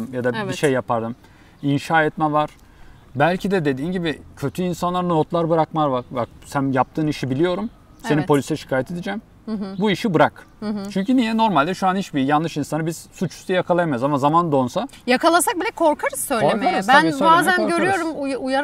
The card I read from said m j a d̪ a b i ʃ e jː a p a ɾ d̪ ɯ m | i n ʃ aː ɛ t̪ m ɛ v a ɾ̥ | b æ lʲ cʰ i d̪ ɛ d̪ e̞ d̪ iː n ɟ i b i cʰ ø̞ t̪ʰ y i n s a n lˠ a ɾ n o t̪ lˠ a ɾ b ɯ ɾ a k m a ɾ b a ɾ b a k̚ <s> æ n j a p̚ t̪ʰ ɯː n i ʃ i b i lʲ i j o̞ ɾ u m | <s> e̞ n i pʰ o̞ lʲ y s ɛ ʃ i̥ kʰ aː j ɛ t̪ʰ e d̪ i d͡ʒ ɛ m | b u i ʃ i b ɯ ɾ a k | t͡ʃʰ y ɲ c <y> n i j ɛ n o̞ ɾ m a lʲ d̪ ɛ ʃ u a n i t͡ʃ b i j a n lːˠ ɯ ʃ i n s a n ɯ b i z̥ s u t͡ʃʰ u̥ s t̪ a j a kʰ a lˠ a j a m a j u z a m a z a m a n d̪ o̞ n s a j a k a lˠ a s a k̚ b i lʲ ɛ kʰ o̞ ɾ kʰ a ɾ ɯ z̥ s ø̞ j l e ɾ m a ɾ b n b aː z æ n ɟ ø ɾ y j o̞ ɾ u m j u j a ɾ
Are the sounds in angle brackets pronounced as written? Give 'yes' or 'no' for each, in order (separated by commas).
yes, yes, yes